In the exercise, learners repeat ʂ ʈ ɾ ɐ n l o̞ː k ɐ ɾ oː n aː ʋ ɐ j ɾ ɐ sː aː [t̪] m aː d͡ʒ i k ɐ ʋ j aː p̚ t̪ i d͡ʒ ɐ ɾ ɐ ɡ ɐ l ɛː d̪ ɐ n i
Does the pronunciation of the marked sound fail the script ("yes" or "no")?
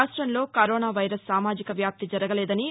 yes